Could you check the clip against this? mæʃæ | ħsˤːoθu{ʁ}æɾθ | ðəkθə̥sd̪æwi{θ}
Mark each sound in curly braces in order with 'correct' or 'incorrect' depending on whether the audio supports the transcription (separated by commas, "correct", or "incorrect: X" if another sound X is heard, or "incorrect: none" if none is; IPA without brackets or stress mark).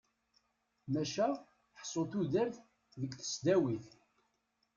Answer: incorrect: ð, correct